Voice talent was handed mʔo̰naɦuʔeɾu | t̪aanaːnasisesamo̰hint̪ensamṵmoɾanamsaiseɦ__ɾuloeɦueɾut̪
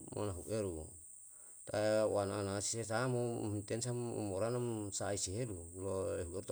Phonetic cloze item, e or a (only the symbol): e